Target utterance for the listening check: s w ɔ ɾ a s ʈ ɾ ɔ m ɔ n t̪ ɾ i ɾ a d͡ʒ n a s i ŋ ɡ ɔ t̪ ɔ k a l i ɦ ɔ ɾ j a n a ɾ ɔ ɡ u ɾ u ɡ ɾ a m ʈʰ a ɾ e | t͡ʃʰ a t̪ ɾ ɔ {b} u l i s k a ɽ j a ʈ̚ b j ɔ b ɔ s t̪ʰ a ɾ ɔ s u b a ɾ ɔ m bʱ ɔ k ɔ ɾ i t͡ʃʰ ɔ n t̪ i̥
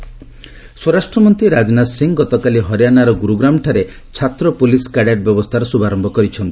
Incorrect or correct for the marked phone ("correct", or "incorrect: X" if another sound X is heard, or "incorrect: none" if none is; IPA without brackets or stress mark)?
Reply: incorrect: p